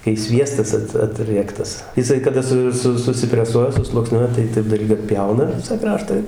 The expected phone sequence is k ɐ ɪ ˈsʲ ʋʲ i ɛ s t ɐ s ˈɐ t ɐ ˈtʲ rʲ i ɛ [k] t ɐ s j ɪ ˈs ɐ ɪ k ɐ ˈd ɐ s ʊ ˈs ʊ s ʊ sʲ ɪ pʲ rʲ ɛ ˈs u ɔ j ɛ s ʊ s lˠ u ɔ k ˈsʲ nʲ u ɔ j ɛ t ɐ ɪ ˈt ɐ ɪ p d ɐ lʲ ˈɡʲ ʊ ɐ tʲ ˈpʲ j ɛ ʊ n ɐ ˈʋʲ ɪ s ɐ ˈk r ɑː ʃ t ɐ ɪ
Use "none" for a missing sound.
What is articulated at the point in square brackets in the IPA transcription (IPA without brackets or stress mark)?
k